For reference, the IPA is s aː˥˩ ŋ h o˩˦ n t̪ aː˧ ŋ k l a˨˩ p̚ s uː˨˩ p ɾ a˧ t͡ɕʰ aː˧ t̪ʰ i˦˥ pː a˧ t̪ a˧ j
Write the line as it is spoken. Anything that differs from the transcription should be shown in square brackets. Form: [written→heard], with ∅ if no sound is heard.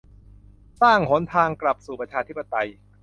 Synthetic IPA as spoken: s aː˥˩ ŋ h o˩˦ n [t̪→t̪ʰ] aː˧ ŋ k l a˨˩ p̚ s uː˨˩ p ɾ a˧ t͡ɕʰ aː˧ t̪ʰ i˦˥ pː a˧ t̪ a˧ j